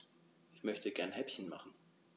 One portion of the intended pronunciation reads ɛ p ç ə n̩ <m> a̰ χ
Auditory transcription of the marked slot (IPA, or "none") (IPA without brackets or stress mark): m